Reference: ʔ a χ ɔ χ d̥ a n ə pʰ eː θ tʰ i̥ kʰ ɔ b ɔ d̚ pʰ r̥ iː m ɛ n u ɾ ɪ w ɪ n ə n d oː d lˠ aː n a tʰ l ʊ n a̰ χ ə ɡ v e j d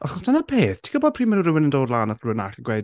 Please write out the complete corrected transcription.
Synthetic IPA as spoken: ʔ a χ ɔ s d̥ a n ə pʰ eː θ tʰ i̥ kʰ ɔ b ɔ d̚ pʰ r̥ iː m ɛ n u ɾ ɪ w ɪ n ə n d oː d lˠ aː n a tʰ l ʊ n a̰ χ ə ɡ w e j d